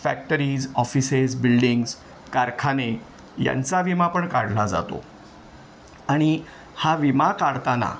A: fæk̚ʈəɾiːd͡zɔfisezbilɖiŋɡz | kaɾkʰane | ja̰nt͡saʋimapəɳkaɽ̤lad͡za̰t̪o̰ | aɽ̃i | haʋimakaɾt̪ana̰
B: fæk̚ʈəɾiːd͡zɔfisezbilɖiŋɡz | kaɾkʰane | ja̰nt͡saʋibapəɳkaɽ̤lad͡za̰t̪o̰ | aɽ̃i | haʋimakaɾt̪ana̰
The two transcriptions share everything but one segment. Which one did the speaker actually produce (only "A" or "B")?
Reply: A